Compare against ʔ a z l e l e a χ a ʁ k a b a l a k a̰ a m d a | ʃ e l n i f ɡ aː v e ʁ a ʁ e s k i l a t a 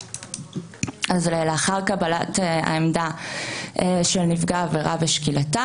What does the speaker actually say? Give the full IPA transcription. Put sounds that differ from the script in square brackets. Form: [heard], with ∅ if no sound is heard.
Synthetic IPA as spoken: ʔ a z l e l e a χ a ʁ k a b a l a [t] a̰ [e] m d a | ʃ e l n i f ɡ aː v e ʁ a [v] e [ʃ] k i l a t a